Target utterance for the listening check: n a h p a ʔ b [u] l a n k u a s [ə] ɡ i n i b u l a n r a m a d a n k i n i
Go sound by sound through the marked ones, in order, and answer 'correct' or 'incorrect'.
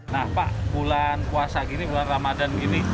correct, incorrect

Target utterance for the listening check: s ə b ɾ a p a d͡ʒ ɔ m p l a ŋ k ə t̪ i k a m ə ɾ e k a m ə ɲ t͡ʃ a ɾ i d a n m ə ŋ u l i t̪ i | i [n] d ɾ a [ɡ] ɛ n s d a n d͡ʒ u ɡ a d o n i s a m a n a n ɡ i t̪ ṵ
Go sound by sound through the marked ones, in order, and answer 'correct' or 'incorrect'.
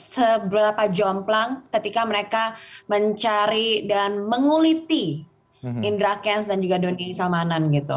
correct, incorrect

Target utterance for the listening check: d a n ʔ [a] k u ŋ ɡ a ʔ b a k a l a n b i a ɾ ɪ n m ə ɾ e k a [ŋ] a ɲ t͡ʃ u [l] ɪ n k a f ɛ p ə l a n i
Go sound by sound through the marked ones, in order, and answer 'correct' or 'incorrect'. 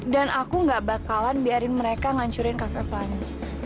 correct, correct, incorrect

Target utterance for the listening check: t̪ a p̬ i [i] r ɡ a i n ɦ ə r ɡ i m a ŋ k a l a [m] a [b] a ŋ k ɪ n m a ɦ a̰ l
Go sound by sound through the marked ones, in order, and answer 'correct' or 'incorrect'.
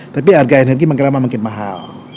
incorrect, correct, incorrect

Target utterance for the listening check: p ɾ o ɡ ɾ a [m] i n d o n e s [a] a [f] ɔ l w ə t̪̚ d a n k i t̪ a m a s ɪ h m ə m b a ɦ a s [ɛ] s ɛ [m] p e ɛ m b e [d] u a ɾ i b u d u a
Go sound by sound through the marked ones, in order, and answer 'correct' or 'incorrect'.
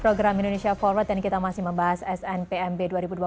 correct, incorrect, correct, correct, incorrect, correct

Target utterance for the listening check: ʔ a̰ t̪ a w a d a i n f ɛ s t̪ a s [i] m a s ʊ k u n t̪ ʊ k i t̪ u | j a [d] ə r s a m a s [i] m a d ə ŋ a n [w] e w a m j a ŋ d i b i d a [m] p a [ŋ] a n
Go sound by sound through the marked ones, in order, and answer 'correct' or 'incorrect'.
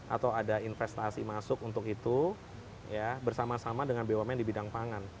correct, incorrect, incorrect, incorrect, incorrect, correct

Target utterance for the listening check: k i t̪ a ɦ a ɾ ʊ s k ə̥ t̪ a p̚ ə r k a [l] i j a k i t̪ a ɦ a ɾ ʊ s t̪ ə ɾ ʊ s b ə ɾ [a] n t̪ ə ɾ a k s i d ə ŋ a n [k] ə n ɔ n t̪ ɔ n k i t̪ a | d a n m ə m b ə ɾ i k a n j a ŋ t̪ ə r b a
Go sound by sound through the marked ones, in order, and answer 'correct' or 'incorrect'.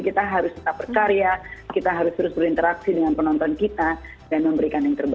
incorrect, incorrect, incorrect

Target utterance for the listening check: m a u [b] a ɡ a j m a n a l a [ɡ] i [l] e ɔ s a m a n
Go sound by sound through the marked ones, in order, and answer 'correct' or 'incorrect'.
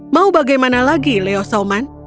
correct, correct, correct

